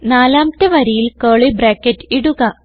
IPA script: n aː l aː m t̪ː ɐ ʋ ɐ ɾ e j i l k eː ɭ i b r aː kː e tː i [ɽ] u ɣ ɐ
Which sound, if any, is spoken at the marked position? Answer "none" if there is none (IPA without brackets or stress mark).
ɽ